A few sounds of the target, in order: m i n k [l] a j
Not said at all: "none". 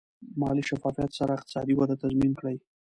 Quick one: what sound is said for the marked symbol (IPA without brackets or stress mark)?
ɽ